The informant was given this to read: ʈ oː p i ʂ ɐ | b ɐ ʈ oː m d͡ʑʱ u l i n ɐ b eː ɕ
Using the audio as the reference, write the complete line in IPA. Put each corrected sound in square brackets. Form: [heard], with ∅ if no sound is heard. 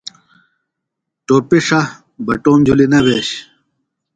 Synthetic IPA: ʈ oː p i ʂ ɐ | b ɐ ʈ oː m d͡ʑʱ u l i n ɐ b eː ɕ

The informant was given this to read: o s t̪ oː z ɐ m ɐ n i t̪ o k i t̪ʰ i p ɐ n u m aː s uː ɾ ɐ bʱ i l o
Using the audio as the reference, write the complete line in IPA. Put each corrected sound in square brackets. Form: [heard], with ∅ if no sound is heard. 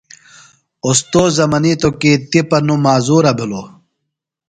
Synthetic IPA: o s t̪ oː z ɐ m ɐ n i t̪ o k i [t̪] i p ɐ n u m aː [z] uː ɾ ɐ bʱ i l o

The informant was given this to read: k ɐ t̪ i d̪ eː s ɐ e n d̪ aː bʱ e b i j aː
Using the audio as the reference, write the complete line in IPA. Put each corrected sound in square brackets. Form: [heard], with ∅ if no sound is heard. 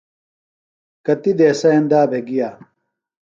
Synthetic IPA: k ɐ t̪ i d̪ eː s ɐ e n d̪ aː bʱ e [ɡ] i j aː

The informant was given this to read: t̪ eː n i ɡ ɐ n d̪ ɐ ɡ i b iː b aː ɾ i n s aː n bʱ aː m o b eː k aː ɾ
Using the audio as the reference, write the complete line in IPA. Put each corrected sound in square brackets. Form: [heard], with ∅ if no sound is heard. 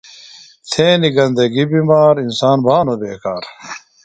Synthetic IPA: [t̪ʰ] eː n i ɡ ɐ n d̪ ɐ ɡ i b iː [m] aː ɾ i n s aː n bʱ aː [n] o b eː k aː ɾ

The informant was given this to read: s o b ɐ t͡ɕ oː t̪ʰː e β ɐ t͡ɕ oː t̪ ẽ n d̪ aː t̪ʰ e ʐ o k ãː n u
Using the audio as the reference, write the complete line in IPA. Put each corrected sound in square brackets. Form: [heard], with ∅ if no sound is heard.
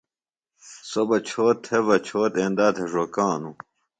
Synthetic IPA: s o b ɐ [t͡ɕʰ] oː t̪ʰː e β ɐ [t͡ɕʰ] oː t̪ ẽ n d̪ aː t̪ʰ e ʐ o k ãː n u

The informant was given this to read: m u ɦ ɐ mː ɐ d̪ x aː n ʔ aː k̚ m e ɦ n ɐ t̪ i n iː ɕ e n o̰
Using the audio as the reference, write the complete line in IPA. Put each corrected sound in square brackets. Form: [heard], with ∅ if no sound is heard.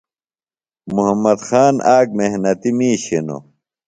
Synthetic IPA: m u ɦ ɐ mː ɐ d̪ x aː n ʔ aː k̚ m e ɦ n ɐ t̪ i [m] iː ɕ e n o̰

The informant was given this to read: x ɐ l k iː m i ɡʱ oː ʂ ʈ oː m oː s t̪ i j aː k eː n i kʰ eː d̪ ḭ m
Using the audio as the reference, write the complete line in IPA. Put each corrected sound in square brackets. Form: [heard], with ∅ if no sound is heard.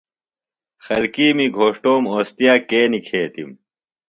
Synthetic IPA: x ɐ l k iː m i ɡʱ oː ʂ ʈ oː m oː s t̪ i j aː k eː n i kʰ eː [t̪] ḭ m

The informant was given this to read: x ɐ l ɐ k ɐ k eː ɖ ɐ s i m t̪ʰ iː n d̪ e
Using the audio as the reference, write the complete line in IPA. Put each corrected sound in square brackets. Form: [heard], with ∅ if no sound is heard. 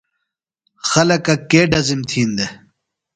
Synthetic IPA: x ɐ l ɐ k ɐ k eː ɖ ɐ [z] i m t̪ʰ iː n d̪ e

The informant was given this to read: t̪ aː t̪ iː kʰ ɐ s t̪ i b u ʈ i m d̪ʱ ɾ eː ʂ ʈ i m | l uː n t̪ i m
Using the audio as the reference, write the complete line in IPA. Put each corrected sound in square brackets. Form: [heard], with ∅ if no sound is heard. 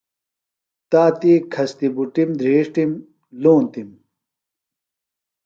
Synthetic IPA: t̪ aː t̪ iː kʰ ɐ s t̪ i b u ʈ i m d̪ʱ ɾ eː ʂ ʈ i m | l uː n t̪ i m

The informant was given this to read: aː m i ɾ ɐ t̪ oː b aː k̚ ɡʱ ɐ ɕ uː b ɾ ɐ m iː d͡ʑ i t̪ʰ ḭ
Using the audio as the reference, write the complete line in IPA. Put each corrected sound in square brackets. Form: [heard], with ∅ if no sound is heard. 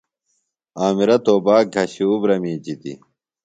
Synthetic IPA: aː m i ɾ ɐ t̪ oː b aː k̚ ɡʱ ɐ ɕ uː b ɾ ɐ m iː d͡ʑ i [t̪] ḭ

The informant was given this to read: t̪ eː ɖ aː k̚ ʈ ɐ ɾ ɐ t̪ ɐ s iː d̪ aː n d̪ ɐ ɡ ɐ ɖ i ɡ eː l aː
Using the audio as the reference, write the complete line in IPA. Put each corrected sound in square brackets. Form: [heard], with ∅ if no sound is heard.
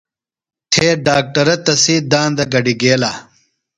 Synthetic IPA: [t̪ʰ] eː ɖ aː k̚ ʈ ɐ ɾ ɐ t̪ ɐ s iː d̪ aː n d̪ ɐ ɡ ɐ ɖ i ɡ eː l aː

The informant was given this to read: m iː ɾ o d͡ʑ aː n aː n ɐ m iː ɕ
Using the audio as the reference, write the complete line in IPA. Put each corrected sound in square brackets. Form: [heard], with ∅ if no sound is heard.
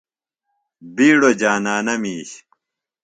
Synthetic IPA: [b] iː [ɽ] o d͡ʑ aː n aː n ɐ m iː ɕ

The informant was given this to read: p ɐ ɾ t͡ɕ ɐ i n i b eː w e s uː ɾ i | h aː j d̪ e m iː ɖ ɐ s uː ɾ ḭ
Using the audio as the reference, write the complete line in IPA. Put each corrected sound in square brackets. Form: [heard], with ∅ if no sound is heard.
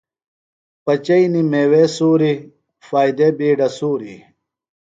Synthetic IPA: p ɐ [∅] t͡ɕ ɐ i n i [m] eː w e s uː ɾ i | [f] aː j d̪ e [b] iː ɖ ɐ s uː ɾ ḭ

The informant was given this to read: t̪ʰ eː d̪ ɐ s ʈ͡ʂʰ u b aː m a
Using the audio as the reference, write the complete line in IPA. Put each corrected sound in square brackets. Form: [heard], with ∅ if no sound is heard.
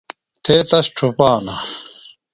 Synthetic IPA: t̪ʰ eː [t̪] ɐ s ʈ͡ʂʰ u [p] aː [n] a

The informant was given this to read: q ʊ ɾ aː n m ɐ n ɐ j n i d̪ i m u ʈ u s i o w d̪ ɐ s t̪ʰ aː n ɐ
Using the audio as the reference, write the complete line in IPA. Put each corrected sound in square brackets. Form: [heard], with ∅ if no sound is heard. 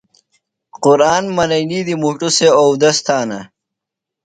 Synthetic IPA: q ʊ ɾ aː n m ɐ n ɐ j n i d̪ i m u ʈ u s [e] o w d̪ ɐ s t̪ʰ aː n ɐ

